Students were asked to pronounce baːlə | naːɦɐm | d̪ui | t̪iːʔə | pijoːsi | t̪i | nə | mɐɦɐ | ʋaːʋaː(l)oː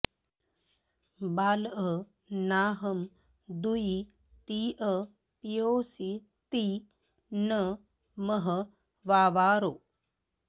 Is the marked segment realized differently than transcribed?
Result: yes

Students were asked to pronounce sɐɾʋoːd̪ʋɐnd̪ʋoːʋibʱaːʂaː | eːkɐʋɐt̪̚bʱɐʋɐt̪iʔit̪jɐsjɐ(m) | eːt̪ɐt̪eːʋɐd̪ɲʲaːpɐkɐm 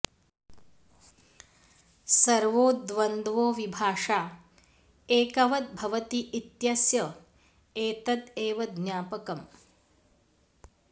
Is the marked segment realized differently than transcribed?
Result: yes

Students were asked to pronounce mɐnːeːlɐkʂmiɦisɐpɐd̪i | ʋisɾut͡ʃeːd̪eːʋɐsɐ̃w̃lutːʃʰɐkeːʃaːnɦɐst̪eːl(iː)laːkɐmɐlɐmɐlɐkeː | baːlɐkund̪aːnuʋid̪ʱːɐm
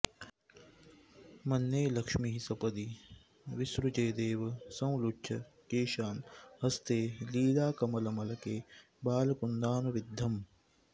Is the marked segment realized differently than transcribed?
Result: no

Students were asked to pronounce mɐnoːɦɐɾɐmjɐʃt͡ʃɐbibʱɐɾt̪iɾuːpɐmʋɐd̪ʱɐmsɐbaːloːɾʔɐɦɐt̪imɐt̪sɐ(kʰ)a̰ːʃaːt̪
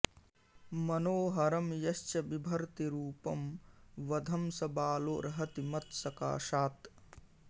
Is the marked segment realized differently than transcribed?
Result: yes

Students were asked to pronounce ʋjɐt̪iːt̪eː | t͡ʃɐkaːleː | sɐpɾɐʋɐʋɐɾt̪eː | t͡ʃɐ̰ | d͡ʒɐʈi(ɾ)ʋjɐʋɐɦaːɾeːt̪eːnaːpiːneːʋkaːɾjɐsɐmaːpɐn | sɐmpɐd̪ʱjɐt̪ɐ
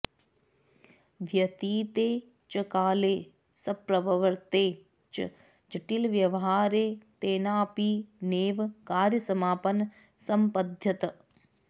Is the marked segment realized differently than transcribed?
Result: yes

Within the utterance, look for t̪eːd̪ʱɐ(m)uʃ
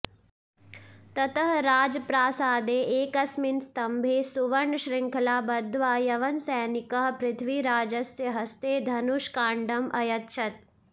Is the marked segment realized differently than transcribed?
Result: yes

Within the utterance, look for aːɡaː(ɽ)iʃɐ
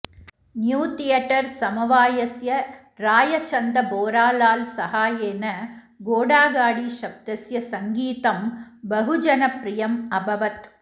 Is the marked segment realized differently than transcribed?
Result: no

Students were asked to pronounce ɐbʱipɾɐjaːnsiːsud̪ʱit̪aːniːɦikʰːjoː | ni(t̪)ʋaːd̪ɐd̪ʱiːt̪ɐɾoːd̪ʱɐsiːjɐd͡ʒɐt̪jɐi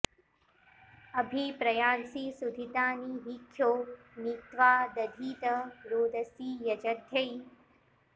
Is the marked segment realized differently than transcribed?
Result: no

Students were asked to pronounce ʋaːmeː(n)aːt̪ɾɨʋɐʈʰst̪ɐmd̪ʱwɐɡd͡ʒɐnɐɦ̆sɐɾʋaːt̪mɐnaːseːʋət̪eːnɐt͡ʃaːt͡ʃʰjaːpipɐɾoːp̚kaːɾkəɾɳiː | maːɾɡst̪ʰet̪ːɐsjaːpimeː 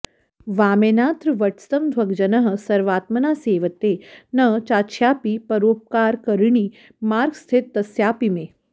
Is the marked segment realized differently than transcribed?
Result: no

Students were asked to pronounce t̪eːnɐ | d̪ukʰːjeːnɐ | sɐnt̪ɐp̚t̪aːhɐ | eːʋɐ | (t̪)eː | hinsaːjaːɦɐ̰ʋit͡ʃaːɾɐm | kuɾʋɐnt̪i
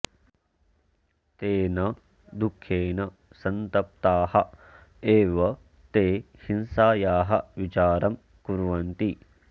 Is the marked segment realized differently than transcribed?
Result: no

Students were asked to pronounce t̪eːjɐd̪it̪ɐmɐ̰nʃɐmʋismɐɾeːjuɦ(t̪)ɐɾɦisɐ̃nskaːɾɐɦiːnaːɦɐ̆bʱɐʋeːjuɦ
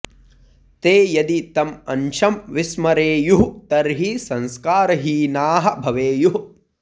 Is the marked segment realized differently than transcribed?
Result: no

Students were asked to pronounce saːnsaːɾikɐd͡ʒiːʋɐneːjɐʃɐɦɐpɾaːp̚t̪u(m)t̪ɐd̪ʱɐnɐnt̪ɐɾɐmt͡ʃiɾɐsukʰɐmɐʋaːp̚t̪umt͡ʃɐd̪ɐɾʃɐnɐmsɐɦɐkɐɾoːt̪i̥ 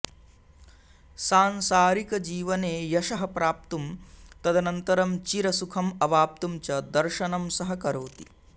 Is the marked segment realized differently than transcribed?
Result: no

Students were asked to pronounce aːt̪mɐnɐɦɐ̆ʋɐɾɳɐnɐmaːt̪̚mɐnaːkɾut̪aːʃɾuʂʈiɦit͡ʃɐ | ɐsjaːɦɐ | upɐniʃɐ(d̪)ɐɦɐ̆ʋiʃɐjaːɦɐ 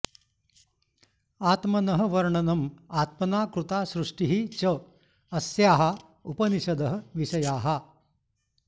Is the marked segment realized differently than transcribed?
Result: no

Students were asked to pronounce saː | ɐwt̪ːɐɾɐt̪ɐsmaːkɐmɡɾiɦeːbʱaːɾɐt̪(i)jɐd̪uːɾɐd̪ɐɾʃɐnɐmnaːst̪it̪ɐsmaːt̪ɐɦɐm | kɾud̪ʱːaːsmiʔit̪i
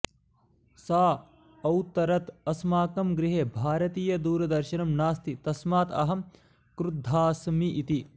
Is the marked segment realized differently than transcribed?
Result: yes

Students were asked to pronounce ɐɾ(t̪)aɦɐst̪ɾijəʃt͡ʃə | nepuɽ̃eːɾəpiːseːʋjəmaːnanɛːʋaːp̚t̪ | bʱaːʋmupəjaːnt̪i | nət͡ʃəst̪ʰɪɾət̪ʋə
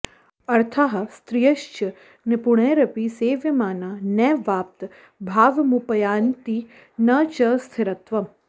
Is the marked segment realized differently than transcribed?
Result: yes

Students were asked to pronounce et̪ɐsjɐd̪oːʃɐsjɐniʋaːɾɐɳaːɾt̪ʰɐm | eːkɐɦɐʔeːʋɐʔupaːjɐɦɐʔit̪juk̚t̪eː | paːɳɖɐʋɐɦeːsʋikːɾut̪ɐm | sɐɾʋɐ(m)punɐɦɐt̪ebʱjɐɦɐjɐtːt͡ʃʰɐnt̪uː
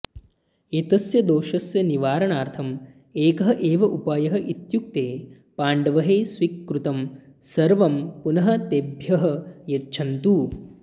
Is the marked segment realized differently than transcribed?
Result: no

